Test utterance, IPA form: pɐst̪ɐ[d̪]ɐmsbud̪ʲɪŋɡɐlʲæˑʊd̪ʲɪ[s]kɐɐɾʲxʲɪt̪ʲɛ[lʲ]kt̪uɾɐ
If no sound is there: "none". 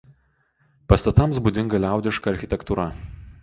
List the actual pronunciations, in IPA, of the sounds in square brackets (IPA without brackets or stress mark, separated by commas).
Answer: t̪, ʃ, none